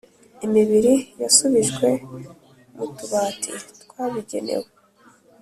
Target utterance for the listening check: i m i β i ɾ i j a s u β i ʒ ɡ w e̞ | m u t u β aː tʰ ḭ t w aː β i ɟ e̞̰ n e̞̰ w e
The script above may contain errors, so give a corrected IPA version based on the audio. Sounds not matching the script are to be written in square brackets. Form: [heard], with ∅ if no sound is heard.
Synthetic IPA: i m i β i ɾ i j a s u β i ʒ ɡ w e̞ | m u t u β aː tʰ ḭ t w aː β i ɟ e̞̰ n e̞̰ w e